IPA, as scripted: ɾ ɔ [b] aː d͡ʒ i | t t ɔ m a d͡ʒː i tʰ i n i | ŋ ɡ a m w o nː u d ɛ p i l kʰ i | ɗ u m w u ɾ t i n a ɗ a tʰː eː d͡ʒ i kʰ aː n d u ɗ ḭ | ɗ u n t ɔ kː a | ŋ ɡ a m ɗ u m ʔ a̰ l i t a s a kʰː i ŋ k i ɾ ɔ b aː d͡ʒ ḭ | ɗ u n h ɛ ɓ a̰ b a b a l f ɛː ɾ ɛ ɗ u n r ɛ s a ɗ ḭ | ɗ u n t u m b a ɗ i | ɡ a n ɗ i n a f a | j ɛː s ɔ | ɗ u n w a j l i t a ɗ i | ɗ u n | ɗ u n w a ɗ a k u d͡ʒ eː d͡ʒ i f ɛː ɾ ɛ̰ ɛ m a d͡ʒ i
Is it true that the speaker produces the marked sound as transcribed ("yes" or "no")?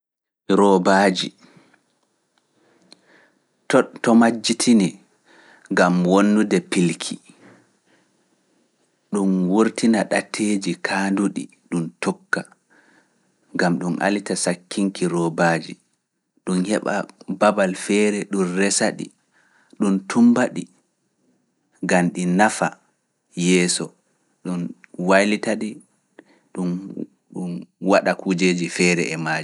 yes